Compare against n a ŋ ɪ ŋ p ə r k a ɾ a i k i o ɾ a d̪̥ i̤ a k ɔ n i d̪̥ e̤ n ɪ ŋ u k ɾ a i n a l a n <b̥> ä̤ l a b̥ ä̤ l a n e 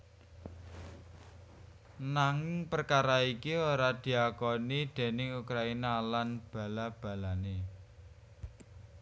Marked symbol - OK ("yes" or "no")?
yes